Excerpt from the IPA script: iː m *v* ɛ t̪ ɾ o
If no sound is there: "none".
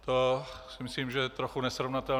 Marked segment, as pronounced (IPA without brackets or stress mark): ʒ